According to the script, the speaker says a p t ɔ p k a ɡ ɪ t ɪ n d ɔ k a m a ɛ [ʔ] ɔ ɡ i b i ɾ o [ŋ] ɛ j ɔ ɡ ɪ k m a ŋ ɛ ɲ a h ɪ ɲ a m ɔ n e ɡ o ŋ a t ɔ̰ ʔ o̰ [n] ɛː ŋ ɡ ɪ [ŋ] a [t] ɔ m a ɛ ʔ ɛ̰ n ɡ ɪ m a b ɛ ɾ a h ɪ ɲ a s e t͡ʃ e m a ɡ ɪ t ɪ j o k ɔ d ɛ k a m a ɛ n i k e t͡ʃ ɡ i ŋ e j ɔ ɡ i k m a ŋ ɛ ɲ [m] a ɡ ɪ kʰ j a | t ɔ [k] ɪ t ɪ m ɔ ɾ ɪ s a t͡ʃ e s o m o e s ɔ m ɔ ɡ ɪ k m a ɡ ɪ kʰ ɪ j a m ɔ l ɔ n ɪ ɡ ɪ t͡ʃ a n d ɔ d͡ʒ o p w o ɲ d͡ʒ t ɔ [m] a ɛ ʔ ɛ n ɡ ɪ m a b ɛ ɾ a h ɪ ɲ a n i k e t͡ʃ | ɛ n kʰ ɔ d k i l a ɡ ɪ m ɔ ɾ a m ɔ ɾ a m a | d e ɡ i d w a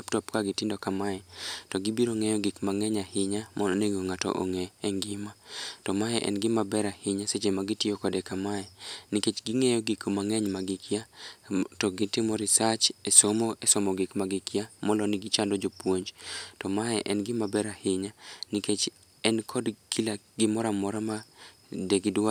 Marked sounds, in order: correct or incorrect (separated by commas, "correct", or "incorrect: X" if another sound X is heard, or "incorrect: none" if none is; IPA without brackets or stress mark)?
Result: incorrect: t, correct, incorrect: ŋ, incorrect: m, correct, correct, incorrect: ɡ, correct